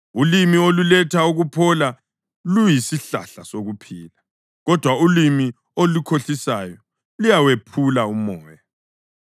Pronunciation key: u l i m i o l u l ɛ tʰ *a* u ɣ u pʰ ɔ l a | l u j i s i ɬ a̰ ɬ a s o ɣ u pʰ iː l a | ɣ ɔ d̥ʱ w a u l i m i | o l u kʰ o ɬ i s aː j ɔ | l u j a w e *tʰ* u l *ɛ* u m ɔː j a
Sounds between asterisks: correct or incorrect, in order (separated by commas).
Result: correct, incorrect, incorrect